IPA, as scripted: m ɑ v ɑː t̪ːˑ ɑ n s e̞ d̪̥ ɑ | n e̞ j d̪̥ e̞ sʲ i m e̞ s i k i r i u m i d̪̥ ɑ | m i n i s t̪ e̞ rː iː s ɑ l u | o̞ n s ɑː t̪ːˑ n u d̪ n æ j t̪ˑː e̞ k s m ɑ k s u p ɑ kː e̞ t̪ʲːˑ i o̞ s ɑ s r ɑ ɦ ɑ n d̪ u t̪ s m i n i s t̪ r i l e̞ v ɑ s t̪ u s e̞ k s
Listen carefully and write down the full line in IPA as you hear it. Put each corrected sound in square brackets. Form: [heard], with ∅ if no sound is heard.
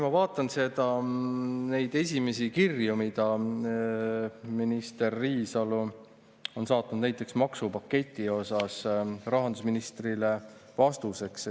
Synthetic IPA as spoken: m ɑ v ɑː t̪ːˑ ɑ n s e̞ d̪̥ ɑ | n e̞ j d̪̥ e̞ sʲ i m e̞ s i k i r [j] u m i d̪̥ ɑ | m i n i s t̪ e̞ rː iː s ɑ l u | o̞ n s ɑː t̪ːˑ n u d̪ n æ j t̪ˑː e̞ k s m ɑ k s u p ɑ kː e̞ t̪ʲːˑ i o̞ s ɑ s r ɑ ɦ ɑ n d̪ u [∅] s m i n i s t̪ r i l e̞ v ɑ s t̪ u s e̞ k s